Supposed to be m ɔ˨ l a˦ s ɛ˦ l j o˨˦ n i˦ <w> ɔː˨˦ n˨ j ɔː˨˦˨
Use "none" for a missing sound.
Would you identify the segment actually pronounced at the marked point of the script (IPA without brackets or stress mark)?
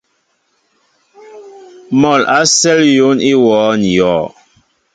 w